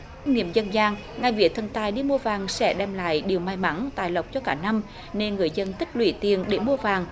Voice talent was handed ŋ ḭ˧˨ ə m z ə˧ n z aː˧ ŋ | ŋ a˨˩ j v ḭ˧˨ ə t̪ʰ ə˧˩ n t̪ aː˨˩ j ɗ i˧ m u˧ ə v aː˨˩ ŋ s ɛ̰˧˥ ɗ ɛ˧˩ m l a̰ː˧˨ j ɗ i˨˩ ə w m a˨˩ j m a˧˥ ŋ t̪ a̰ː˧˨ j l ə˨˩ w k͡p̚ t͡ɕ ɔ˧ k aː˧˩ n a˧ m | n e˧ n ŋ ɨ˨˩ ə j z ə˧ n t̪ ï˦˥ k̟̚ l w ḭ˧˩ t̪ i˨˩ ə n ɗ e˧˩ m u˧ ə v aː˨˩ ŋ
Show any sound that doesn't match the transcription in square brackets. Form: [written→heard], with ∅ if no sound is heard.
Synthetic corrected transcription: ŋ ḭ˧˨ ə m z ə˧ n z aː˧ ŋ | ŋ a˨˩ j v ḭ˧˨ ə t̪ʰ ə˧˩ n t̪ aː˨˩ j ɗ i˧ m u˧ ə v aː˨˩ ŋ s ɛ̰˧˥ ɗ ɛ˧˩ m l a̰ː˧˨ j ɗ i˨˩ ə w m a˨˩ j m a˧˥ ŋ t̪ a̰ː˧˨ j l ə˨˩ w k͡p̚ t͡ɕ ɔ˧ k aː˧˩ n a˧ m | n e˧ n ŋ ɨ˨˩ ə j z ə˧ n t̪ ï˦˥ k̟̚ l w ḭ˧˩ t̪ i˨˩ ə n ɗ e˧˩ m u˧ ə v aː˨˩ ŋ